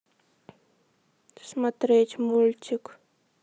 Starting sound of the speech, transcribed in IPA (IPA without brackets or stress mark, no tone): s